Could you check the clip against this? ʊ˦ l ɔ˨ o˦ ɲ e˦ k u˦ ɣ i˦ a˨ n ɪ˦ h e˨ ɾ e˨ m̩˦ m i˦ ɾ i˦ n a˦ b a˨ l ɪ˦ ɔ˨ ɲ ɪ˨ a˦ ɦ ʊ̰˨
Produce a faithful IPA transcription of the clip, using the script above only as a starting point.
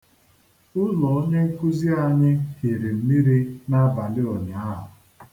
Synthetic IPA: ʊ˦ l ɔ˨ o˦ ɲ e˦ k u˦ z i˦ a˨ ɲ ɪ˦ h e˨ ɾ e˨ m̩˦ m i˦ ɾ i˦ n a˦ b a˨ l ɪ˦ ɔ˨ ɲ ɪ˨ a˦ ɦ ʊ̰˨